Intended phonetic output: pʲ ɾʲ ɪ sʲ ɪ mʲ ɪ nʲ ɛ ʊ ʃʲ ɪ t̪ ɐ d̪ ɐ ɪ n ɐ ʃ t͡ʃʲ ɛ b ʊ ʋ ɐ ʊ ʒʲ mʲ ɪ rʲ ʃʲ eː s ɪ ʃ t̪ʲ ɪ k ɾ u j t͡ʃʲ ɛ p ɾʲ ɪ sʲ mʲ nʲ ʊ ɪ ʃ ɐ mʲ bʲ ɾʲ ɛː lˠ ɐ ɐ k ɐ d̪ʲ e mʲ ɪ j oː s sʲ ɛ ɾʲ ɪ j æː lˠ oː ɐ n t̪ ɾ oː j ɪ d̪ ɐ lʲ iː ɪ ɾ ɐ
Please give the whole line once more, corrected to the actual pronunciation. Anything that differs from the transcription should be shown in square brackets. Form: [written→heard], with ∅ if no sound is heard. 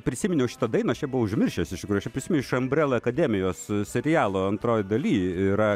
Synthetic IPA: pʲ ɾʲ ɪ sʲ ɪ mʲ ɪ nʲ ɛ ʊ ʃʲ ɪ t̪ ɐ d̪ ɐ ɪ n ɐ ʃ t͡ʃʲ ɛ b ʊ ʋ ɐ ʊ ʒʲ mʲ ɪ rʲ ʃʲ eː s ɪ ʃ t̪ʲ ɪ k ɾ u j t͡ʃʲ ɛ p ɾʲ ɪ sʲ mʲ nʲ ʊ ɪ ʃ ɐ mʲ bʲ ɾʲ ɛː lˠ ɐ ɐ k ɐ d̪ʲ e mʲ ɪ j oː s sʲ ɛ ɾʲ ɪ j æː lˠ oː ɐ n t̪ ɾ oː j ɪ d̪ ɐ lʲ iː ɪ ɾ ɐ